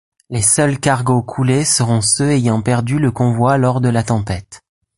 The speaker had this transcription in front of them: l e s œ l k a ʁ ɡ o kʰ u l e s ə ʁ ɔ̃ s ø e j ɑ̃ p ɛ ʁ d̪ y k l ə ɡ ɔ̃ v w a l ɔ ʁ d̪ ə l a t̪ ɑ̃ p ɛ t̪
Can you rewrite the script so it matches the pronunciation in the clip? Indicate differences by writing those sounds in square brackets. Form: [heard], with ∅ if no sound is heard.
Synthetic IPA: l e s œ l k a ʁ ɡ o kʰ u l e s ə ʁ ɔ̃ s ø e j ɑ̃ p ɛ ʁ d̪ y [∅] l ə [k] ɔ̃ v w a l ɔ ʁ d̪ ə l a t̪ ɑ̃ p ɛ t̪